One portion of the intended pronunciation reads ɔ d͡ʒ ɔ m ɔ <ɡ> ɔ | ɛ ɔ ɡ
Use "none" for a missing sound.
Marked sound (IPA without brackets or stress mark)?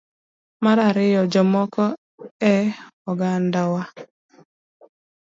k